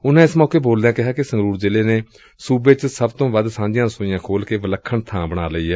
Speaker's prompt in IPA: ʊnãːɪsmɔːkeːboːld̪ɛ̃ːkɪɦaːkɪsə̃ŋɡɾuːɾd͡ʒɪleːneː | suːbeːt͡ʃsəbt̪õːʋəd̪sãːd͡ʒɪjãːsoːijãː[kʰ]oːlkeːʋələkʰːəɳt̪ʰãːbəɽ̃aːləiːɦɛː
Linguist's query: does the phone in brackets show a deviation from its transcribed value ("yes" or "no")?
no